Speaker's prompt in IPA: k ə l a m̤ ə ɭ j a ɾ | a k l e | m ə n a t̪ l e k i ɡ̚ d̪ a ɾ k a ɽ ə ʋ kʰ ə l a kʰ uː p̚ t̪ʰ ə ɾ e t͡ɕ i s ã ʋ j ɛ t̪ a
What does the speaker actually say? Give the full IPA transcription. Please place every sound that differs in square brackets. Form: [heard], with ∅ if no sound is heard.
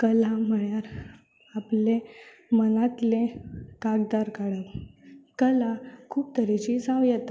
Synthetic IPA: k ə l a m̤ ə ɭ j a ɾ | a [p] l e | m ə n a t̪ l e k [a] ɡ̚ d̪ a ɾ k a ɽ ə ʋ [k] ə l a kʰ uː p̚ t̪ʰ ə ɾ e t͡ɕ i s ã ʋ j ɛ t̪ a